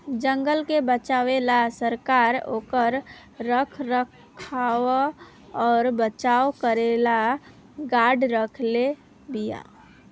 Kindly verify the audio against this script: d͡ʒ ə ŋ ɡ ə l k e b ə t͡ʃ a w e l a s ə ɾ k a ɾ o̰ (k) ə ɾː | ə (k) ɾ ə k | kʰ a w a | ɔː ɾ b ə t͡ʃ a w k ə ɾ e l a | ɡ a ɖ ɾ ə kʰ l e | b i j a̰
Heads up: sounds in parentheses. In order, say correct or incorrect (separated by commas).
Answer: correct, incorrect